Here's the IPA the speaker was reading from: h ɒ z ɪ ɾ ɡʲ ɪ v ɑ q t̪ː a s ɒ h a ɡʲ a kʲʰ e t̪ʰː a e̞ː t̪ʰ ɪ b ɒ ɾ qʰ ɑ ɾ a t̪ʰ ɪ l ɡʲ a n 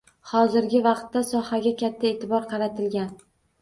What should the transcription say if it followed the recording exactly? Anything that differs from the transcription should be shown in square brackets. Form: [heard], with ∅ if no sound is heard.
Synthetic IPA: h ɒ z ɪ ɾ ɡʲ ɪ v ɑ q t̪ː a s ɒ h a ɡʲ a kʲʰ [a] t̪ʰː a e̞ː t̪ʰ ɪ b ɒ ɾ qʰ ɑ ɾ a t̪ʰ ɪ l ɡʲ a n